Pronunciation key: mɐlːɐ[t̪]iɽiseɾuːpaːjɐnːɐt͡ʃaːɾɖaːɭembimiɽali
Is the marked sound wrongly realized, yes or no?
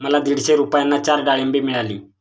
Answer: yes